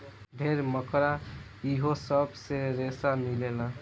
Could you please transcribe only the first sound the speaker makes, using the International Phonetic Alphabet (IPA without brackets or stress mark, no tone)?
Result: bʱ